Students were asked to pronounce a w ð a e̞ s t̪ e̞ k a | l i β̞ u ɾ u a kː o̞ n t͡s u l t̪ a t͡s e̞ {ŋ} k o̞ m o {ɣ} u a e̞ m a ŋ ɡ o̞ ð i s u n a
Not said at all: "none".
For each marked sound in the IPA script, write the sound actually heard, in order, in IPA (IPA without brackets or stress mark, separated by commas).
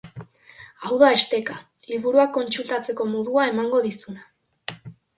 none, ð